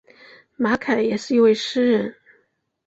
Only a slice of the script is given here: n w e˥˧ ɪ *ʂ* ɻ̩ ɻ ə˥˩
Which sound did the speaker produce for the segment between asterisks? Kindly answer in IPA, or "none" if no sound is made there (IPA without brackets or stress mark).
ʂ